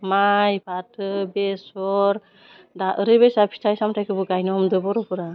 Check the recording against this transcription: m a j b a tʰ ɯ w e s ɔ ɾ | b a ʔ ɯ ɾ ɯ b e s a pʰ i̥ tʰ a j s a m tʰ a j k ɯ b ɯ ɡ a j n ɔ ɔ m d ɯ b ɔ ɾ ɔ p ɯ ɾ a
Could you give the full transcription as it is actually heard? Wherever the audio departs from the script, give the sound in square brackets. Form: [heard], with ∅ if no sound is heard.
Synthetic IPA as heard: m a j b a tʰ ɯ [b] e s ɔ ɾ | [d] a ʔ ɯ ɾ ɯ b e s a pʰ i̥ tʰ a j s a m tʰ a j k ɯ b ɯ ɡ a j n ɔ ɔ m d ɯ b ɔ ɾ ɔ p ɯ ɾ a